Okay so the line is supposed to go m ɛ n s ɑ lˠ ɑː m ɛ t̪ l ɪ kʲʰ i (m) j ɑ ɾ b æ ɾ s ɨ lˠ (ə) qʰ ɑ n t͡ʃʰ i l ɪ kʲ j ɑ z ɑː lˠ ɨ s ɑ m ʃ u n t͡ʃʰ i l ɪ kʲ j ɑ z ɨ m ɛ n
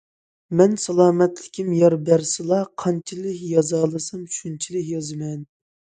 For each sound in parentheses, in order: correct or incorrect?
correct, incorrect: ɑ

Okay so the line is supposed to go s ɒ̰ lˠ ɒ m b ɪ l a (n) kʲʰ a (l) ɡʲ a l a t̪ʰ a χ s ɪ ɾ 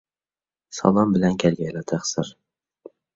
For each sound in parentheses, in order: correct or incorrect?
correct, correct

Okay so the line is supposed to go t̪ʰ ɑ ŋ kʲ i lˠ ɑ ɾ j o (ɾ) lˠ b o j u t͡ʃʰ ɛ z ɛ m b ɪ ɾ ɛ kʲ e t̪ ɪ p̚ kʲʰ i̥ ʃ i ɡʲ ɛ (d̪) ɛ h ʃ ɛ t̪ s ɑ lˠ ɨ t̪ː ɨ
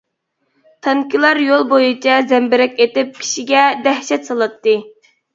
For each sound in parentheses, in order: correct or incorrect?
incorrect: none, correct

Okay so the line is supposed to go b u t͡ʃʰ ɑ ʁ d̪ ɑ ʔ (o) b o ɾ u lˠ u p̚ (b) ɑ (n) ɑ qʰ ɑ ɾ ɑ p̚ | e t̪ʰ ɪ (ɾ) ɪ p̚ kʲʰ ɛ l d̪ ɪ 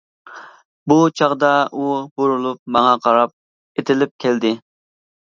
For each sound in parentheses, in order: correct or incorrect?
incorrect: u, incorrect: m, incorrect: ŋ, incorrect: l

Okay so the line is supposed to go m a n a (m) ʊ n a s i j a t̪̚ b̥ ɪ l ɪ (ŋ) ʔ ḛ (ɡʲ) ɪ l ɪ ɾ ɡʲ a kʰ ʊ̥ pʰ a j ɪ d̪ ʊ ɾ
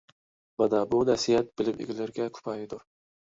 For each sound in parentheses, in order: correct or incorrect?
incorrect: b, incorrect: m, correct

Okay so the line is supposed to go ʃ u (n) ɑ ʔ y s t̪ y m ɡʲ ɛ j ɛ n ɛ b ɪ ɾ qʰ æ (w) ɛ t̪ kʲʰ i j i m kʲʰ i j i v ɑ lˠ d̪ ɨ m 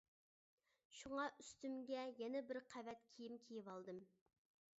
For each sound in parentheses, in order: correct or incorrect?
incorrect: ŋ, incorrect: v

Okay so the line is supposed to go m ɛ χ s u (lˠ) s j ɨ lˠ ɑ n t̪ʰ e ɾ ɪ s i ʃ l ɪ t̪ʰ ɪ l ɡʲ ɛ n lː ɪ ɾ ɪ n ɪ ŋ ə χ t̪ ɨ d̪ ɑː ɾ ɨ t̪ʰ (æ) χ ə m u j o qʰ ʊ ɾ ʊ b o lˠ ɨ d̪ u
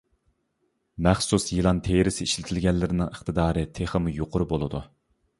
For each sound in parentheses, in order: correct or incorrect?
incorrect: none, incorrect: e

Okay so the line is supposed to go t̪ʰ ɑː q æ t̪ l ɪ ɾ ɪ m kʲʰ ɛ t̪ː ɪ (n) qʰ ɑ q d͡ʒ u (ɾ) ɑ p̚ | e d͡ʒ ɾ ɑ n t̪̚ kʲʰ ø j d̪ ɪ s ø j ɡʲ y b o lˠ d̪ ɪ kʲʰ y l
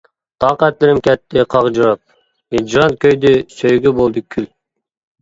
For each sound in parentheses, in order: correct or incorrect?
incorrect: none, correct

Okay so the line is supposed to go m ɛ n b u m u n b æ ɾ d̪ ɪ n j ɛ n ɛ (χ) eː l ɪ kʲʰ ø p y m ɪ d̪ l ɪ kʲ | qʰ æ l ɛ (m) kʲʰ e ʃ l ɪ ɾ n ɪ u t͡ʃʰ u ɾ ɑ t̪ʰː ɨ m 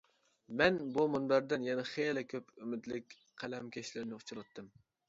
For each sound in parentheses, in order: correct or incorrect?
correct, correct

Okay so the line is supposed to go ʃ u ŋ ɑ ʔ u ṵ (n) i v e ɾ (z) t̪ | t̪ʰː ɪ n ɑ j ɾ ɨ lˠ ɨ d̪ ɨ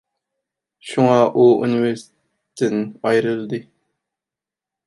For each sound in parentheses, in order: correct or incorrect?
correct, incorrect: s

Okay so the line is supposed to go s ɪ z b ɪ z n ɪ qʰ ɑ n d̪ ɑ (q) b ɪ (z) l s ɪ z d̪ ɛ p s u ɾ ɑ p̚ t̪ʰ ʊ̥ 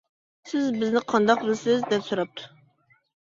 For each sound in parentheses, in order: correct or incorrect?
correct, incorrect: none

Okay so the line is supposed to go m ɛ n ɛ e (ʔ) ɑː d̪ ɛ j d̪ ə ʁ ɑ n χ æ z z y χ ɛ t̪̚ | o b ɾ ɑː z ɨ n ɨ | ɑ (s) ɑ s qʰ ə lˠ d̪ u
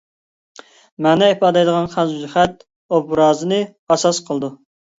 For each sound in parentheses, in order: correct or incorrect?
incorrect: p, correct

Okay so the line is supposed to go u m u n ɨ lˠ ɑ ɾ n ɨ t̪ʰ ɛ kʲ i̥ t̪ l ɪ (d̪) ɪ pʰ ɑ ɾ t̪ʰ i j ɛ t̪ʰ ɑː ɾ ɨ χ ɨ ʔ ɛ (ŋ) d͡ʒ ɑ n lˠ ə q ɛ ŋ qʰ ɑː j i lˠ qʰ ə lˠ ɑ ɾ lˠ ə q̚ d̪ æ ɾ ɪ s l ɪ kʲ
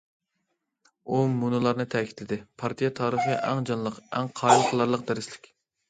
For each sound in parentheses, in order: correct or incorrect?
correct, correct

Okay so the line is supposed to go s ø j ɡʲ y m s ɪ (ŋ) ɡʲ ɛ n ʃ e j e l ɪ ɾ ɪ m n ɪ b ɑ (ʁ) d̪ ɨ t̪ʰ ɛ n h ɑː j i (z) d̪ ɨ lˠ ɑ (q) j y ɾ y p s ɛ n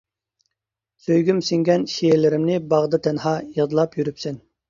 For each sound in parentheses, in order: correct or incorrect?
correct, correct, incorrect: ʁ, incorrect: p

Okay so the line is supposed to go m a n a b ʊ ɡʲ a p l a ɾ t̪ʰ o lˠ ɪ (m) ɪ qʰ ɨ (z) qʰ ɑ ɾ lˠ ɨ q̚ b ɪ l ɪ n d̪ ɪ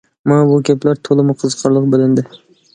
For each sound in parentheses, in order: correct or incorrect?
correct, correct

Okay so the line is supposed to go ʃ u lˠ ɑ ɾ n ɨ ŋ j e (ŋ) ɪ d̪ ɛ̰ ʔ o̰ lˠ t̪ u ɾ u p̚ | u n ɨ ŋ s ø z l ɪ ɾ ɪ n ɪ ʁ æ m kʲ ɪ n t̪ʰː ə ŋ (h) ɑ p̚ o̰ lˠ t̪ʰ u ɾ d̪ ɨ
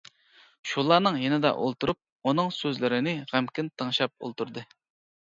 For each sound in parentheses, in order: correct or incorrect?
incorrect: n, incorrect: ʃ

